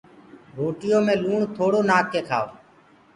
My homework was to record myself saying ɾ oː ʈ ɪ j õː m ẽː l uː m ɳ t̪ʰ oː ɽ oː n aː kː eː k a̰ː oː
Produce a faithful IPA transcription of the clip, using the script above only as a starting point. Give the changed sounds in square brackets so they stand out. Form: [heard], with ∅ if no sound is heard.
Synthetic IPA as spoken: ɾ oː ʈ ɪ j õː m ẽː l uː [∅] ɳ t̪ʰ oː ɽ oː n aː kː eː [kʰ] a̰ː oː